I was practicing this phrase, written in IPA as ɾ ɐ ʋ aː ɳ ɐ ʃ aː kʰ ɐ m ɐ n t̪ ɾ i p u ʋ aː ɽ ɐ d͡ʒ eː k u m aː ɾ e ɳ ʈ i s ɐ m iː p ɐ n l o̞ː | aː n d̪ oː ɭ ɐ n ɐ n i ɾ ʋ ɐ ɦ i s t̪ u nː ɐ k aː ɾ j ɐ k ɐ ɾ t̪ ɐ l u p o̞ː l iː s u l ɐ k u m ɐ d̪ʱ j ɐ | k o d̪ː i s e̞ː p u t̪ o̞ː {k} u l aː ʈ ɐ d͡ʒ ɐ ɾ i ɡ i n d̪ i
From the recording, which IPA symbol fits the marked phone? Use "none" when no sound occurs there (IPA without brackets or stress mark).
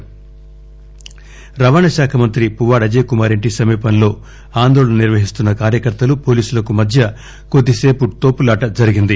p